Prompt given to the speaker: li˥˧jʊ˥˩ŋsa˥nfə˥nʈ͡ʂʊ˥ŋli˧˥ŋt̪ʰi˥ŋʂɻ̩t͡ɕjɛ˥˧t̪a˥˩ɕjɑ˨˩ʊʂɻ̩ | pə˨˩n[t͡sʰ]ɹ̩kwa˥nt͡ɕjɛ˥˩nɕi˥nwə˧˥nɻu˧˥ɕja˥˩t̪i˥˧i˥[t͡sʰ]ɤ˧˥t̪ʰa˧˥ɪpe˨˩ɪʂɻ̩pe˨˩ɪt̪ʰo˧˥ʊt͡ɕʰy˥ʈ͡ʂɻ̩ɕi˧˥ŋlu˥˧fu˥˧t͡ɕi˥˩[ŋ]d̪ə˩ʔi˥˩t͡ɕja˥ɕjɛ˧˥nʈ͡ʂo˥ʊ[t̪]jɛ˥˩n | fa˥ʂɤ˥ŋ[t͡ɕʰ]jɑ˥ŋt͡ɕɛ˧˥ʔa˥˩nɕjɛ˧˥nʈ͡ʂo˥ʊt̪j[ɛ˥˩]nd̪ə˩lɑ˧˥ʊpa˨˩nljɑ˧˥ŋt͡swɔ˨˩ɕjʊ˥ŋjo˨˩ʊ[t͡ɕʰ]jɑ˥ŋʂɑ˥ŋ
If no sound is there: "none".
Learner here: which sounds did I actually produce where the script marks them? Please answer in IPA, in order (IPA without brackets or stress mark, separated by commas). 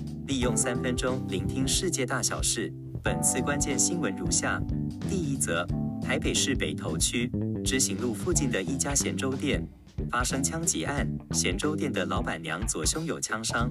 t͡sʰ, t͡s, n, t̪, t͡ɕʰ, ɛ˥˩, t͡ɕʰ